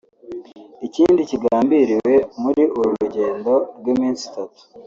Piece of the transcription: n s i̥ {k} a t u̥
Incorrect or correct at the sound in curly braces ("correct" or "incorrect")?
incorrect